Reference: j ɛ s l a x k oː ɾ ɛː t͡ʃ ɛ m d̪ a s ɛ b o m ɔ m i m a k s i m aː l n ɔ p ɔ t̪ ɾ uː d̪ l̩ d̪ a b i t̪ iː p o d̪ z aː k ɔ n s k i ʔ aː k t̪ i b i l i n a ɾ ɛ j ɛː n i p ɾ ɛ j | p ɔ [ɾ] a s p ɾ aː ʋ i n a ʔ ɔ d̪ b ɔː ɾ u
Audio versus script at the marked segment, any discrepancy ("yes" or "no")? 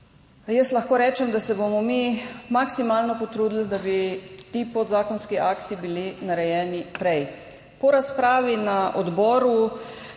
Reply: no